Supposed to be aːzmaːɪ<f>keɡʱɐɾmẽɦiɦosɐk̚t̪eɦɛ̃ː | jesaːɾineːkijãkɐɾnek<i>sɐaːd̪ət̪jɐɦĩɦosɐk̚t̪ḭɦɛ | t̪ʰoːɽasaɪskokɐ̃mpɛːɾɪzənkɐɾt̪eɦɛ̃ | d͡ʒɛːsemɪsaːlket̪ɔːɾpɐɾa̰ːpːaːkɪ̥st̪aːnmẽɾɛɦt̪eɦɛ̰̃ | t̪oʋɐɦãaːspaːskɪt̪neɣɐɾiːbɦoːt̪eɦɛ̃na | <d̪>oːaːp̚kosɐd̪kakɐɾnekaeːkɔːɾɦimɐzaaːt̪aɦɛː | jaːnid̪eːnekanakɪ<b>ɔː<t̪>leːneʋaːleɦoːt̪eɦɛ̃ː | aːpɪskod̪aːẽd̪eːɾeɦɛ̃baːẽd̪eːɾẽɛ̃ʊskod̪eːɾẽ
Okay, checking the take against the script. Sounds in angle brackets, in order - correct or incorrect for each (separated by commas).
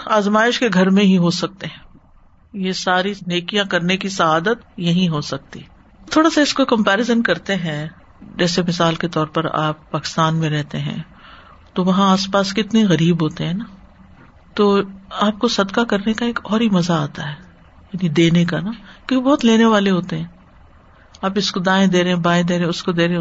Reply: incorrect, correct, incorrect, correct, correct